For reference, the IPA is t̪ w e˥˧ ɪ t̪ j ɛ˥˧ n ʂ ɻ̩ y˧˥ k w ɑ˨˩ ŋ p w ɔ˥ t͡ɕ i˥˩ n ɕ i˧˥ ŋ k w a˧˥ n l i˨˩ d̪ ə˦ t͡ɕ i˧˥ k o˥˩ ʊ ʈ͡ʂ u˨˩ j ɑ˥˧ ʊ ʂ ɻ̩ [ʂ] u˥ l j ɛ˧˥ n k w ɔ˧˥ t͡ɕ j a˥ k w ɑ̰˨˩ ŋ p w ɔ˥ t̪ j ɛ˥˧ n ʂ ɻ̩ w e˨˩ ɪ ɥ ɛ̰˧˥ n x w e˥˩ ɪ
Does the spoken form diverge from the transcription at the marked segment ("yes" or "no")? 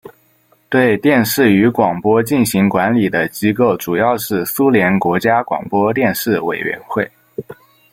yes